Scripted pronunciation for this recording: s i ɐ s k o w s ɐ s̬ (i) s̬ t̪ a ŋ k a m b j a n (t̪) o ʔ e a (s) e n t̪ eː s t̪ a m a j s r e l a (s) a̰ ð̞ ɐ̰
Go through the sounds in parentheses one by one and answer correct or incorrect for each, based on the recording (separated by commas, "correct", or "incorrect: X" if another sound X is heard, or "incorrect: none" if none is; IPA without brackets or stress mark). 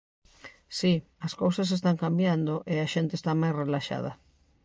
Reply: incorrect: e, incorrect: d̪, incorrect: ʃ, incorrect: ʃ